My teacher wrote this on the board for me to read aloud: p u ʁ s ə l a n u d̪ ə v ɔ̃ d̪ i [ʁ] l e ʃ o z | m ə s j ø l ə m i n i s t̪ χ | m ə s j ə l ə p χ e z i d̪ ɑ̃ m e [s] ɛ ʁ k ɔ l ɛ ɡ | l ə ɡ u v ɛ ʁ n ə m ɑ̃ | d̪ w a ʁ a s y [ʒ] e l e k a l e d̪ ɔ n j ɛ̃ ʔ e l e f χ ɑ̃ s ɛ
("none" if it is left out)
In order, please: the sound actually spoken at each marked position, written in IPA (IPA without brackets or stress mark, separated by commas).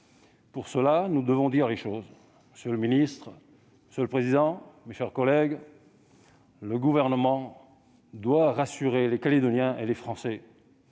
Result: ʁ, ʃ, ʁ